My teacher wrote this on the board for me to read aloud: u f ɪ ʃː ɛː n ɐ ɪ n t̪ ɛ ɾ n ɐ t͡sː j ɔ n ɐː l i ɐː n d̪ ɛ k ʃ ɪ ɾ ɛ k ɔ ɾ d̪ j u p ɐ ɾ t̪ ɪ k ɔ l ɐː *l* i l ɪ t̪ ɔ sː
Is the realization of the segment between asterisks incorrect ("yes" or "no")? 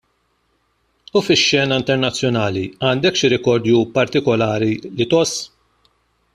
yes